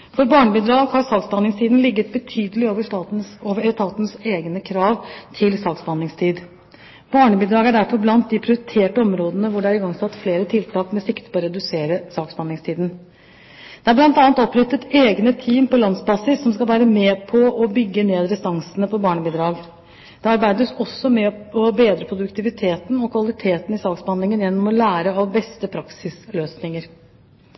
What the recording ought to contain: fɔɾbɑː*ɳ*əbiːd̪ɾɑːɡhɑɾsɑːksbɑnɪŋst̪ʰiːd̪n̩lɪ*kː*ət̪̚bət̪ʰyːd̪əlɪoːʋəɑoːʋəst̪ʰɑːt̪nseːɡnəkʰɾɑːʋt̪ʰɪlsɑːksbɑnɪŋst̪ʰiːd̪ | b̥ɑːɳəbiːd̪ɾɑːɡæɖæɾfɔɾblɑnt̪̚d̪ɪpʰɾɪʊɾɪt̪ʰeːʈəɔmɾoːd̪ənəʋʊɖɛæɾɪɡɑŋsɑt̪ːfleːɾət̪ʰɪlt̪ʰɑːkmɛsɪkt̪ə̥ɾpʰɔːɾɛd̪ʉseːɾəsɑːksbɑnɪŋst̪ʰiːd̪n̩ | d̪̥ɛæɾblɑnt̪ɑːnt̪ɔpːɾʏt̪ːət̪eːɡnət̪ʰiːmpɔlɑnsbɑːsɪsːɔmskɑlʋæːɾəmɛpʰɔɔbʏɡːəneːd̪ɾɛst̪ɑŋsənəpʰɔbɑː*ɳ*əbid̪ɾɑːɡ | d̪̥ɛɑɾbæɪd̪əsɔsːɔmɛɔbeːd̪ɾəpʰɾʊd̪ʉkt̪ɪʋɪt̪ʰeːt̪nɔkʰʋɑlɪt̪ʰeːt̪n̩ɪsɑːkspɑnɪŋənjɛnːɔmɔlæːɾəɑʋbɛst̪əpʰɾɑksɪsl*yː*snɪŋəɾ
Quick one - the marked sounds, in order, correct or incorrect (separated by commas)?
correct, incorrect, correct, incorrect